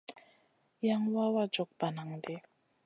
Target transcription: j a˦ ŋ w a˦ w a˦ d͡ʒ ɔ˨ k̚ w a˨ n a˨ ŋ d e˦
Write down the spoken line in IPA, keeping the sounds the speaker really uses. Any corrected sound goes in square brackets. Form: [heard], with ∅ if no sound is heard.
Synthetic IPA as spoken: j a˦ ŋ w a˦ w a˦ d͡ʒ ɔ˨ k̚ [b] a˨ n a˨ ŋ d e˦